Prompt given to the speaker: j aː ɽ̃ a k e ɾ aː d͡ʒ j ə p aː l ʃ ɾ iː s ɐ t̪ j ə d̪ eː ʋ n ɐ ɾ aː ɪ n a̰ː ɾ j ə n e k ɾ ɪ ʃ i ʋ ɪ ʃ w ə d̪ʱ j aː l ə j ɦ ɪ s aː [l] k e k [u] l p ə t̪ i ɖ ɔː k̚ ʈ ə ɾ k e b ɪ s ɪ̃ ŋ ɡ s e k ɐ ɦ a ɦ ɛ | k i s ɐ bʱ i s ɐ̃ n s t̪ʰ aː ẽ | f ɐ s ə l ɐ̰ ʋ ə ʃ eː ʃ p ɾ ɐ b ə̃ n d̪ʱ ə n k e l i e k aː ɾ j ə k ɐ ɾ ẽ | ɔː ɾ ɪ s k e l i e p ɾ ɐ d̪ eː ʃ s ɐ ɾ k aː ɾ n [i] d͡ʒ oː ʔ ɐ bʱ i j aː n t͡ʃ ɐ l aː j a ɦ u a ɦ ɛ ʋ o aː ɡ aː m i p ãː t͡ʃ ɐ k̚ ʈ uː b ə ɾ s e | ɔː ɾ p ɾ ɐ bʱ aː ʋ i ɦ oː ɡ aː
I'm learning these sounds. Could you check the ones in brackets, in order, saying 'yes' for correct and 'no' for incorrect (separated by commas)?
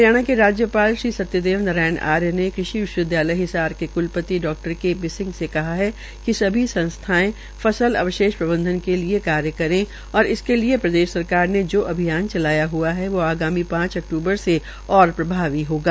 no, no, no